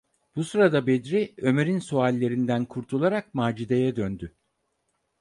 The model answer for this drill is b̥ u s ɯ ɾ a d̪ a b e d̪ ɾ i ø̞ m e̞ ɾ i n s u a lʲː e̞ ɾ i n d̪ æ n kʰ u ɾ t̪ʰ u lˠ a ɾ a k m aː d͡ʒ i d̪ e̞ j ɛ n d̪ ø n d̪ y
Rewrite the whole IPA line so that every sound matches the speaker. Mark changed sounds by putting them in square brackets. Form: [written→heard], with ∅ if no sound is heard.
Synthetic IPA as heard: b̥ u s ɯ ɾ a d̪ a b e d̪ ɾ i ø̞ m e̞ ɾ i n s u a lʲː e̞ ɾ i n d̪ æ n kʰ u ɾ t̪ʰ u lˠ a ɾ a k m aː d͡ʒ i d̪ e̞ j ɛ [n→∅] d̪ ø n d̪ y